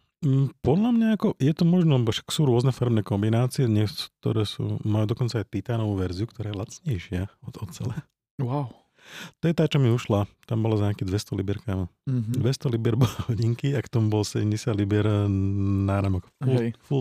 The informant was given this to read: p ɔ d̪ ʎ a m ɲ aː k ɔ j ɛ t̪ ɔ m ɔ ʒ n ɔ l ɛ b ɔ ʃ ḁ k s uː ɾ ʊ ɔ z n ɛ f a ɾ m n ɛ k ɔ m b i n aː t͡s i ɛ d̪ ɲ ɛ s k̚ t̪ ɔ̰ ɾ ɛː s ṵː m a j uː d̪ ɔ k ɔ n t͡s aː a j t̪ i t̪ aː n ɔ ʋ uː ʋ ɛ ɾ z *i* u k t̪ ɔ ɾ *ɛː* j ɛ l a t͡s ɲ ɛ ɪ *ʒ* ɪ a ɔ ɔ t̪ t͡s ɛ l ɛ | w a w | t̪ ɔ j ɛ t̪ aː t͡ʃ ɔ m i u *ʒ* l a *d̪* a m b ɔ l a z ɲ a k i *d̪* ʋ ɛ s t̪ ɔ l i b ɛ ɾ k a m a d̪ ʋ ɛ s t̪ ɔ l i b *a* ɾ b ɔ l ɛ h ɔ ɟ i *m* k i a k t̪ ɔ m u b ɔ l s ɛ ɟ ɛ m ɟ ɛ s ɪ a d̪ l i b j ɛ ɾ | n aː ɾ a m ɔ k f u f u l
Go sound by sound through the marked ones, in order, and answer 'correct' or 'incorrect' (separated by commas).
correct, incorrect, incorrect, incorrect, incorrect, correct, incorrect, incorrect